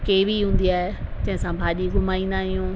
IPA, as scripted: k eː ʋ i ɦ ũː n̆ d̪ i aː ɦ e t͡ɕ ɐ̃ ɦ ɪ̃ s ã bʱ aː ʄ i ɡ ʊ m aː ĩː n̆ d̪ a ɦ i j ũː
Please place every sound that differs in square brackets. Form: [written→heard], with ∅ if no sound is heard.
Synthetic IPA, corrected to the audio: k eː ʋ i ɦ ũː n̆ d̪ i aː ɦ e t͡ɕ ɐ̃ ɦ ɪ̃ s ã bʱ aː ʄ i ɡ ʊ m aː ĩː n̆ d̪ a ɦ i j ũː